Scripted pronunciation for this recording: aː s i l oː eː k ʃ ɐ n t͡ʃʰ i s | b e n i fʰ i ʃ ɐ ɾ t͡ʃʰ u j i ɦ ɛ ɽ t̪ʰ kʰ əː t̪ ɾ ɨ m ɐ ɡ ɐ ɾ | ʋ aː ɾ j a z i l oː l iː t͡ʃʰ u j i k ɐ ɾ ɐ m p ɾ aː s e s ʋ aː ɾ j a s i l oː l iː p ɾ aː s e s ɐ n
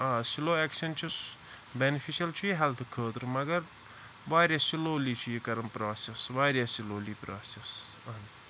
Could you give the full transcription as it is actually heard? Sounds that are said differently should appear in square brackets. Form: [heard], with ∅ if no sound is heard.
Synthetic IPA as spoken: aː s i l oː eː k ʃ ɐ n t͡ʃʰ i s | b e n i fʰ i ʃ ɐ [l] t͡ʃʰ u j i ɦ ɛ [l] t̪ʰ kʰ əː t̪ ɾ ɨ m ɐ ɡ ɐ ɾ | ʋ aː ɾ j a [s] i l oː l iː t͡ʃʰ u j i k ɐ ɾ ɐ m p ɾ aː s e s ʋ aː ɾ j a s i l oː l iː p ɾ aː s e s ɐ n